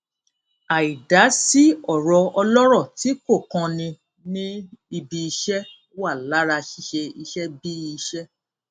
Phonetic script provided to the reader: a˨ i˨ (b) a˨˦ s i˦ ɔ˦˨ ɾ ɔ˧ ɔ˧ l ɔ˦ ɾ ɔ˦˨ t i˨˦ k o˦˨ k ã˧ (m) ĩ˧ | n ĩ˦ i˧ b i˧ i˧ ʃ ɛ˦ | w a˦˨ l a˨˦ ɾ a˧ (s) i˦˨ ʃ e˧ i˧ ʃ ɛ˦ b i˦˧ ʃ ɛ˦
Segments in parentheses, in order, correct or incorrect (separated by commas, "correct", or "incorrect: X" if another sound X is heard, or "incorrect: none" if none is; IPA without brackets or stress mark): incorrect: d, incorrect: n, incorrect: ʃ